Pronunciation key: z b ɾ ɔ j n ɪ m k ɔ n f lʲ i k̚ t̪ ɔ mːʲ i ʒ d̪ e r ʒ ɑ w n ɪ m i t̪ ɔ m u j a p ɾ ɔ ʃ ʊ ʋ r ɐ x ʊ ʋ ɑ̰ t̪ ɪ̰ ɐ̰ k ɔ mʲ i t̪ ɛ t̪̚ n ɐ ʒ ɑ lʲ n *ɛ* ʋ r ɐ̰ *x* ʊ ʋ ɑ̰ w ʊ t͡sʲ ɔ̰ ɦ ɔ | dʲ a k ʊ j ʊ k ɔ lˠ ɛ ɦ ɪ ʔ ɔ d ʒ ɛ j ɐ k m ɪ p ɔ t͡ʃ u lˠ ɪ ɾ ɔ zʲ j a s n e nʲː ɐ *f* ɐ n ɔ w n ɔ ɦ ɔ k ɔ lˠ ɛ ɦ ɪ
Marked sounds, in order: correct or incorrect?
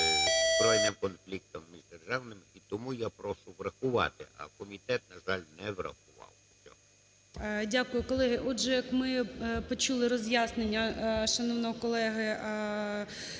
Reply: correct, correct, incorrect: ʃ

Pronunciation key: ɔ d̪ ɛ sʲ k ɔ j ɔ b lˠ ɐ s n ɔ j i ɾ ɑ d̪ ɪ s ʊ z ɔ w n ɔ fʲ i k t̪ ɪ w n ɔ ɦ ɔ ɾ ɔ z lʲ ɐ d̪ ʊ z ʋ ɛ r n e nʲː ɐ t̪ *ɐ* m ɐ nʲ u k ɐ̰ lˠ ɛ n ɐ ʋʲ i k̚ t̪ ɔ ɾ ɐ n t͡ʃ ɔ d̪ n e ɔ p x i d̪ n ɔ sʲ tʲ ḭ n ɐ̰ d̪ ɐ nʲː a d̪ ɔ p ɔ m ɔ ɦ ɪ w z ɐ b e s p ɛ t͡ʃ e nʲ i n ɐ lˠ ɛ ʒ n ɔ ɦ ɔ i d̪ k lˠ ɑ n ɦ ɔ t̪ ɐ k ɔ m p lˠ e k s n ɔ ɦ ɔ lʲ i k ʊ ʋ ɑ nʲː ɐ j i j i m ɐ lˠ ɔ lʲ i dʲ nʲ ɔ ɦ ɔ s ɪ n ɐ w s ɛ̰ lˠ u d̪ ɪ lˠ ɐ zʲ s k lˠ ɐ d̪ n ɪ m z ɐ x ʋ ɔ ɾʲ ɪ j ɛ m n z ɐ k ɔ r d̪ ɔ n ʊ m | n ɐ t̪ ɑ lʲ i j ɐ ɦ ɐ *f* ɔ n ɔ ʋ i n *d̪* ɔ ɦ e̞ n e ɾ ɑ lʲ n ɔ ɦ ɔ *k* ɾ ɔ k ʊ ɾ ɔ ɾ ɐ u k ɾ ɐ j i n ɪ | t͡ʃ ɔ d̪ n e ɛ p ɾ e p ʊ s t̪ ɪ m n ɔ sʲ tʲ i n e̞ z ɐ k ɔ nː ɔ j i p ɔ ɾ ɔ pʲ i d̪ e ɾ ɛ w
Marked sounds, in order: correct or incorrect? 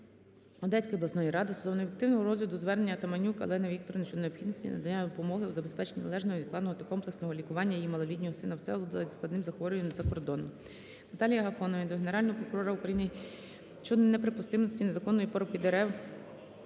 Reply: correct, correct, correct, incorrect: p

